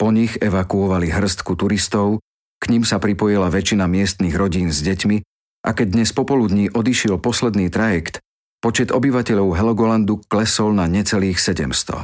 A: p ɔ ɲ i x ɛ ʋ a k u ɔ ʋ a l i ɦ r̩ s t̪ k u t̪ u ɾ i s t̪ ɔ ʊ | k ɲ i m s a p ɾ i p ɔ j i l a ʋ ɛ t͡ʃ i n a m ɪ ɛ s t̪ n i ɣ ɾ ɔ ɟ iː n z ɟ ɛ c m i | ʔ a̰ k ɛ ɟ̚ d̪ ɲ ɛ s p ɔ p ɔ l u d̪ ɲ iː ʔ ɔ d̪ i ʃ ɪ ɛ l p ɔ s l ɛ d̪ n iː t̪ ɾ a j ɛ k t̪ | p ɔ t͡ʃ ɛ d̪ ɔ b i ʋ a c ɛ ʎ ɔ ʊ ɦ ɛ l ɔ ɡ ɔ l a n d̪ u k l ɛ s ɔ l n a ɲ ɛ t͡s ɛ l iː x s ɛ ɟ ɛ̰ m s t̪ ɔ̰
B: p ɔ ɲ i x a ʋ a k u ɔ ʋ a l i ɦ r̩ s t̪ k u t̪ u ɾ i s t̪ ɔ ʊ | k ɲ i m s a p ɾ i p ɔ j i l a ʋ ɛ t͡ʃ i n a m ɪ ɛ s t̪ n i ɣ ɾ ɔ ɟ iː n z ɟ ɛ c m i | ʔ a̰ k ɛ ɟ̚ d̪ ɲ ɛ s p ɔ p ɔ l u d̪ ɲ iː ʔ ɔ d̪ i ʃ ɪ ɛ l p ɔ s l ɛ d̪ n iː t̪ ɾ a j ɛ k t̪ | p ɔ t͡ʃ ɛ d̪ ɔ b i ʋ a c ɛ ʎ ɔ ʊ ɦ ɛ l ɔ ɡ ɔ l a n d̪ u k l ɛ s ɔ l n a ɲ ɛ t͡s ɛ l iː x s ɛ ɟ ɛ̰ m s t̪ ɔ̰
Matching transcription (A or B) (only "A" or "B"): A